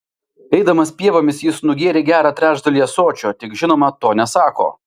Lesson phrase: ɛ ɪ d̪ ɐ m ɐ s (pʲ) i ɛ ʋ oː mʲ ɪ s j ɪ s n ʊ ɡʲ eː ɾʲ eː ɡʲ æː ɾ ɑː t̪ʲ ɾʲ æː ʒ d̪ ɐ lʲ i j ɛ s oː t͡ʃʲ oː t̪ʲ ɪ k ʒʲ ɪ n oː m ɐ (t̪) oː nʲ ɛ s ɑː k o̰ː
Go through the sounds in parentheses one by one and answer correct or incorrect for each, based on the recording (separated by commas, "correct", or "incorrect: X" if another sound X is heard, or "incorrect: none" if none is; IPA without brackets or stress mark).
correct, correct